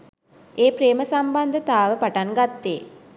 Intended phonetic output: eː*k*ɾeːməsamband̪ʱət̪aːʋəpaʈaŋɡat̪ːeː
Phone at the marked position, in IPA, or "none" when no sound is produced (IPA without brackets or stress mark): p